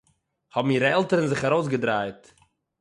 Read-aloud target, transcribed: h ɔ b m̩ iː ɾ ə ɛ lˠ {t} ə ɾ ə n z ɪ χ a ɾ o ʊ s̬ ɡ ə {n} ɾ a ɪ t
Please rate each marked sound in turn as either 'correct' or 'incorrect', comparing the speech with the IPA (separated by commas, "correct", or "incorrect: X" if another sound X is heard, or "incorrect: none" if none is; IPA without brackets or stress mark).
correct, incorrect: d